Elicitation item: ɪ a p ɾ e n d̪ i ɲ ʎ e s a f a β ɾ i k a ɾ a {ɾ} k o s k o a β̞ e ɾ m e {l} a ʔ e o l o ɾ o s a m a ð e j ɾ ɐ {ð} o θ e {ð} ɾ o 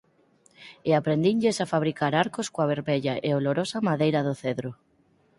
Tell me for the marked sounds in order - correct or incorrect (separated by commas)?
correct, incorrect, correct, correct